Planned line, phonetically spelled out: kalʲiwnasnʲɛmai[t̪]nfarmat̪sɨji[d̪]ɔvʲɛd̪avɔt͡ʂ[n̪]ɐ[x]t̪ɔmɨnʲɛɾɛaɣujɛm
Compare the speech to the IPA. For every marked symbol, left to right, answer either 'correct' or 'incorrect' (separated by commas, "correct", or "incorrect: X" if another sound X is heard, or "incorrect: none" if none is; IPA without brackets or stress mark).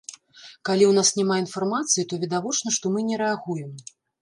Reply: incorrect: none, incorrect: t̪, correct, incorrect: ʂ